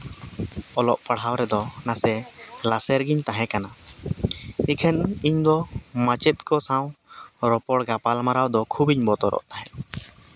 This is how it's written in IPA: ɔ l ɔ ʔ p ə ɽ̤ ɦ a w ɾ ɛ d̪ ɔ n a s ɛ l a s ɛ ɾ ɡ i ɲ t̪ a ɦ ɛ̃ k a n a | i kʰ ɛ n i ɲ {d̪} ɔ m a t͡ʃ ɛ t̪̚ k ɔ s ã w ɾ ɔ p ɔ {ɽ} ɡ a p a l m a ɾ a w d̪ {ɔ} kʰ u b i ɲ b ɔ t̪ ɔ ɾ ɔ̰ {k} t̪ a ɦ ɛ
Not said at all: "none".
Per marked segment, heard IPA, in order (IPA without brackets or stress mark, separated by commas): d̪, ɽ, ɔ, ʔ